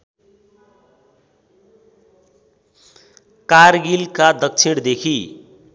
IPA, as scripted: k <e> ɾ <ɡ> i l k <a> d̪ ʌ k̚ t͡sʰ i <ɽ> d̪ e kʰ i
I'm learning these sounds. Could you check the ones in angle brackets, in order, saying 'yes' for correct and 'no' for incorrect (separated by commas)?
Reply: no, yes, yes, yes